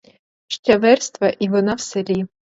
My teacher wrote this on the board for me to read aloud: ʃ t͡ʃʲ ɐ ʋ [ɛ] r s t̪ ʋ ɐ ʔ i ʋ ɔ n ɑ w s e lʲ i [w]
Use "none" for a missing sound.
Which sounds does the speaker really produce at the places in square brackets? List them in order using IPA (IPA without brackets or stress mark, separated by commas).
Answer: ɛ, none